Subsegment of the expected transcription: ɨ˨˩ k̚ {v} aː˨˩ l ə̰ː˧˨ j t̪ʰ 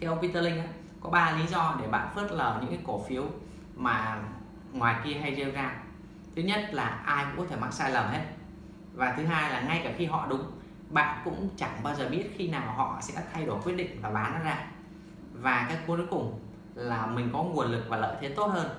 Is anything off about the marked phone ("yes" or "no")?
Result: no